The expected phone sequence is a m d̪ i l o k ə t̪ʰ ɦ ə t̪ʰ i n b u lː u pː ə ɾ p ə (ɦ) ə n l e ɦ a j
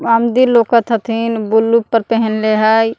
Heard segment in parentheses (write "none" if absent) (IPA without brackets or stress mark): ɦ